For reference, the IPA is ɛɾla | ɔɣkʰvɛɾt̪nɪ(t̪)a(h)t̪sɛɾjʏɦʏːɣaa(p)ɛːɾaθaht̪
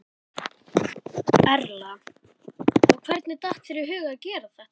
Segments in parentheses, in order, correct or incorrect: correct, correct, incorrect

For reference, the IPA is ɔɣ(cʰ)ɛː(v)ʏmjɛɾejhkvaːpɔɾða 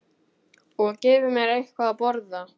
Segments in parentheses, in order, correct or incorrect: incorrect, correct

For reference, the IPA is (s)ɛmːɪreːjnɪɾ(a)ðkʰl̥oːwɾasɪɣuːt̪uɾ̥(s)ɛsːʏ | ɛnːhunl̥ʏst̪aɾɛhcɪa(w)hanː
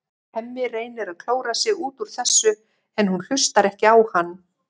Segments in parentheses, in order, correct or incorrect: incorrect, correct, incorrect, correct

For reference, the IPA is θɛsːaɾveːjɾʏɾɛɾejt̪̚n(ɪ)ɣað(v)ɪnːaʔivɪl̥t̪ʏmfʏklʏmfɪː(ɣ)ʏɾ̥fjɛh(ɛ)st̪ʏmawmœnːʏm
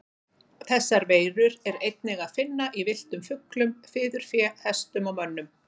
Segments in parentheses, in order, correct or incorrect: correct, incorrect, incorrect, correct

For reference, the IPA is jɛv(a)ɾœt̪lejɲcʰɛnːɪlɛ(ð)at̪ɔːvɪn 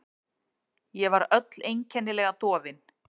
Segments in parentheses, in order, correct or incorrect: correct, incorrect

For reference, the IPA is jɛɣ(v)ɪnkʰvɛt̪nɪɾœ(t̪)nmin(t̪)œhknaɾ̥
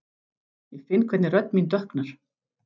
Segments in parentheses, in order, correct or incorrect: incorrect, correct, correct

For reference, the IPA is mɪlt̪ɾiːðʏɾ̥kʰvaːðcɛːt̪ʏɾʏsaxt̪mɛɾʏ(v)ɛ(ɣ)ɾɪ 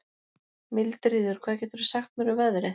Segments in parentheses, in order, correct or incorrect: correct, incorrect

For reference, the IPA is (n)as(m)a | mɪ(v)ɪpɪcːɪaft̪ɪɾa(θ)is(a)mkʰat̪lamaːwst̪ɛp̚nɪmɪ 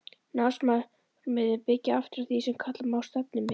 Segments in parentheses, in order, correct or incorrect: correct, correct, incorrect, correct, incorrect

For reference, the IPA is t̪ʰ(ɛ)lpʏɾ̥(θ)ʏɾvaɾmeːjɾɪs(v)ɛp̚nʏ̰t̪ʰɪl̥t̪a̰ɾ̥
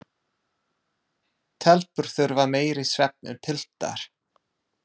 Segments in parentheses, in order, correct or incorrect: correct, correct, correct

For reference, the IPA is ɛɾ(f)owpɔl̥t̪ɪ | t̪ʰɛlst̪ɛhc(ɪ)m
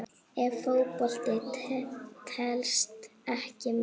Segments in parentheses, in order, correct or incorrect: correct, correct

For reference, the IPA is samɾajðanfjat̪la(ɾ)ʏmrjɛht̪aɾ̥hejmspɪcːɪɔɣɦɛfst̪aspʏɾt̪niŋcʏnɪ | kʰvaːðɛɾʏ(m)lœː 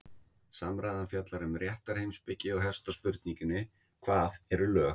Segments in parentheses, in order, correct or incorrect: correct, incorrect

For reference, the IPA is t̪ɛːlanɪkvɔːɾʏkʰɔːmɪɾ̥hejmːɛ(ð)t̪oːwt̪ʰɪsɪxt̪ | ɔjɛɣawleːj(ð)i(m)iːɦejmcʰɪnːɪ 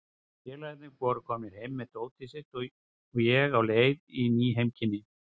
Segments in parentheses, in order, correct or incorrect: correct, correct, incorrect

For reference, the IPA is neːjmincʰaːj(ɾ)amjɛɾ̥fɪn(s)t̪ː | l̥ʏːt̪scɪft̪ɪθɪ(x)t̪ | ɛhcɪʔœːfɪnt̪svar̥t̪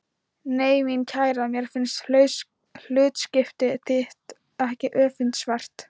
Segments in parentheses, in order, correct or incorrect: correct, correct, incorrect

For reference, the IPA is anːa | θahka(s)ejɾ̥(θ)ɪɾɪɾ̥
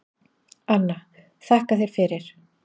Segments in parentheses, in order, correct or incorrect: incorrect, incorrect

